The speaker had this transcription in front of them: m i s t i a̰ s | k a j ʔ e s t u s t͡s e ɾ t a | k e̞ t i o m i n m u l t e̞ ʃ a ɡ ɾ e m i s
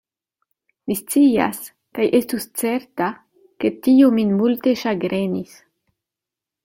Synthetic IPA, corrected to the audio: m i s t͡s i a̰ s | k a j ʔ e s t u s t͡s e ɾ t a | k e̞ t i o m i n m u l t e̞ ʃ a ɡ ɾ e n i s